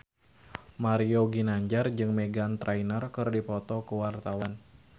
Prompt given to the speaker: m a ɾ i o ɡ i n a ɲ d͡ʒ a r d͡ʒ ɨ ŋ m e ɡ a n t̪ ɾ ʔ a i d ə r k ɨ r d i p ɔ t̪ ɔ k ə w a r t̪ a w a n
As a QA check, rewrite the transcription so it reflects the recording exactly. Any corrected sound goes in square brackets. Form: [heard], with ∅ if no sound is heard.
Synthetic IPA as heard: m a ɾ i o ɡ i n a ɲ d͡ʒ a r d͡ʒ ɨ ŋ m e ɡ a n t̪ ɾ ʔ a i [n] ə r k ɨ r d i p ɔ t̪ ɔ k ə w a r t̪ a w a n